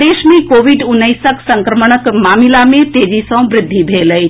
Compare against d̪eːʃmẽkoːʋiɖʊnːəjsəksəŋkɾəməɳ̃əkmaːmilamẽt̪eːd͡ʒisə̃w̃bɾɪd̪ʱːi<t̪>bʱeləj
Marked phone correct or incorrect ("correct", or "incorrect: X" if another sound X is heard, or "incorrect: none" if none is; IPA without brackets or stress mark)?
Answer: incorrect: none